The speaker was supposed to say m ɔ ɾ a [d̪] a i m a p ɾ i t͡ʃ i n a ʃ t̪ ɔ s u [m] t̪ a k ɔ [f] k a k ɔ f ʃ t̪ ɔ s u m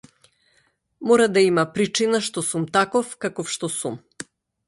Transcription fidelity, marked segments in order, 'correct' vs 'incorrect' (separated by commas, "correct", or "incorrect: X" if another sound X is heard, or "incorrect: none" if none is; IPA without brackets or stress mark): correct, correct, correct